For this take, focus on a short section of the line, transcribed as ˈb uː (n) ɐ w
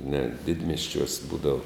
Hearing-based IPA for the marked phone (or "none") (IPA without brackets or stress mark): d